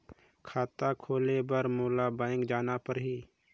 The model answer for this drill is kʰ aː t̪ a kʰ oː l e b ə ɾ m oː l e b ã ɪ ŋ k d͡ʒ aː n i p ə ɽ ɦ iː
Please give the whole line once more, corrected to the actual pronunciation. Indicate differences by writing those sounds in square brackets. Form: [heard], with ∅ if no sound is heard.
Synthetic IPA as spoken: kʰ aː t̪ a kʰ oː l e b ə ɾ m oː l [a] b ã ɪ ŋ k d͡ʒ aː n [a] p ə [ɾ] ɦ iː

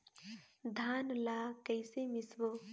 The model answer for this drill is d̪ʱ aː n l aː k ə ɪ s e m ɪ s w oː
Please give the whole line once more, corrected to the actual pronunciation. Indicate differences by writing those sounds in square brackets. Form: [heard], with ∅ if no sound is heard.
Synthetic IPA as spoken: d̪ʱ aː n l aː k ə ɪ s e m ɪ s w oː

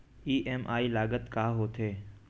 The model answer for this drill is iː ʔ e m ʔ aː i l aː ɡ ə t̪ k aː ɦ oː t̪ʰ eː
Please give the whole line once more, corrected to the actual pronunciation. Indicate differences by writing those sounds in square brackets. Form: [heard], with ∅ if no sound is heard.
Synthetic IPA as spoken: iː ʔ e m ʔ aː i l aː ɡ ə t̪ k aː ɦ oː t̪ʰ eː

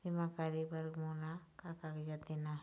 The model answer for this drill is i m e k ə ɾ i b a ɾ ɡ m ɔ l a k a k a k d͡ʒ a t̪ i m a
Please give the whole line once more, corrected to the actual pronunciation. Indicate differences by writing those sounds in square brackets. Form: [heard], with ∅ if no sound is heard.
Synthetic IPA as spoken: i m [a] k [a] ɾ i b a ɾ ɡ m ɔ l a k a k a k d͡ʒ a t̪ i [n] a

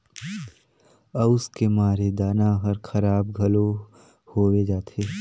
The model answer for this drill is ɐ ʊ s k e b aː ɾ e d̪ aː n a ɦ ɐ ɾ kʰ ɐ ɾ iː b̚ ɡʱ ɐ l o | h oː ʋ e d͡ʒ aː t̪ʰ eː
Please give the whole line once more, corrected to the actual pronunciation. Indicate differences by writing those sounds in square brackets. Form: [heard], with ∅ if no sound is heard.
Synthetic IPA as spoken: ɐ ʊ s k e [m] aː ɾ e d̪ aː n a ɦ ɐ ɾ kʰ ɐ ɾ [aː] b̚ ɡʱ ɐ l o | h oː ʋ e d͡ʒ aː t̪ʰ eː

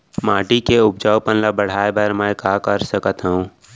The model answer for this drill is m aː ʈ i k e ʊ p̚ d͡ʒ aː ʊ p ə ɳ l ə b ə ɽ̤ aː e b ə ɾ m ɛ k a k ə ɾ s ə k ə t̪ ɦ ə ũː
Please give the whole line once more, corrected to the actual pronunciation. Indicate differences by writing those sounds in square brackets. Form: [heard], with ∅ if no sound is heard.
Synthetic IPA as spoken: m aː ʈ i k e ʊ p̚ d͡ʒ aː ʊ p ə [n] l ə b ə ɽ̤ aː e b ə ɾ m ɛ k a k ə ɾ s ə k ə t̪ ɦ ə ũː

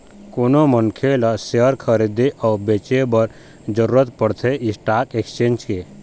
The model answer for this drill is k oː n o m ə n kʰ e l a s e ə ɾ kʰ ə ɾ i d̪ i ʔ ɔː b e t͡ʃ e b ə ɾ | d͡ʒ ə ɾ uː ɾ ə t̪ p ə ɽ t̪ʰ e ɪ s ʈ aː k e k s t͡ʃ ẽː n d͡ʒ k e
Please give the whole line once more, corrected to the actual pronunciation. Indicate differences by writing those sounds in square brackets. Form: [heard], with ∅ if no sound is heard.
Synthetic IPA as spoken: k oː n o m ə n kʰ e l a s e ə ɾ kʰ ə ɾ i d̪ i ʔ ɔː b e t͡ʃ e b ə ɾ | d͡ʒ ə ɾ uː ɾ ə t̪ p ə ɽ t̪ʰ e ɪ s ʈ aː k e k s t͡ʃ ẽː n d͡ʒ k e

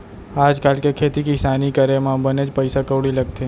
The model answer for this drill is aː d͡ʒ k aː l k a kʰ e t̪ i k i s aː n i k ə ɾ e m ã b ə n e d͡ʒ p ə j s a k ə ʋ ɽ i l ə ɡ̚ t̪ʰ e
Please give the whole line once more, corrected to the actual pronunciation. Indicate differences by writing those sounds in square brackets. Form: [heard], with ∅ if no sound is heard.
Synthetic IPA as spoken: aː d͡ʒ k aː l k [e] kʰ e t̪ i k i s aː n i k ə ɾ e m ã b ə n e d͡ʒ p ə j s a k ə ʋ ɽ i l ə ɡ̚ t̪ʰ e

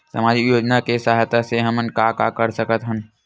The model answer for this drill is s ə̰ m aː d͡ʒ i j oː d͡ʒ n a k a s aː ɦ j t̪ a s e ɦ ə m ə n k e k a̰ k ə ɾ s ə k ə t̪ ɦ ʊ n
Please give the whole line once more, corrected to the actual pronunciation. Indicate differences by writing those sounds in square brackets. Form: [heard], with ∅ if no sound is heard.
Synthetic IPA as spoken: s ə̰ m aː d͡ʒ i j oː d͡ʒ n a k [e] s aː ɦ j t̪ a s e ɦ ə m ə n k [a] k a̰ k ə ɾ s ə k ə t̪ ɦ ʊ n

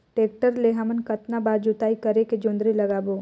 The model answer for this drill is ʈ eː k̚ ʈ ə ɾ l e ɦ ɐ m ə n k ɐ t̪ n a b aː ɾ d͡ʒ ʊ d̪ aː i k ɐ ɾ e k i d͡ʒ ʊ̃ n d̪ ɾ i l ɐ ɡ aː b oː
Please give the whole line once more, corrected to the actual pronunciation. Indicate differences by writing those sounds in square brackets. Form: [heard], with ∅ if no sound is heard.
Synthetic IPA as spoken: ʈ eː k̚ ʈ ə ɾ l e ɦ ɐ m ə n k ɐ t̪ n a b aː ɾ d͡ʒ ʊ [t̪] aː i k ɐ ɾ e k [e] d͡ʒ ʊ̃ n d̪ ɾ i l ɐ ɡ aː b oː

